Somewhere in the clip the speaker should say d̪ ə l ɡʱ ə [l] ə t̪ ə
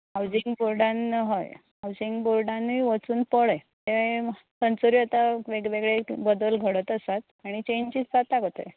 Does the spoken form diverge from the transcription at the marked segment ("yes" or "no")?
yes